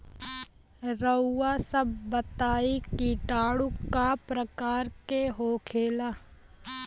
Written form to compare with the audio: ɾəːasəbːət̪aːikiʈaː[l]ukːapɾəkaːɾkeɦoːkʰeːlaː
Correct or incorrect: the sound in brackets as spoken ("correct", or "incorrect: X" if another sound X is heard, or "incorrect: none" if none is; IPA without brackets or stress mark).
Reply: incorrect: ɽ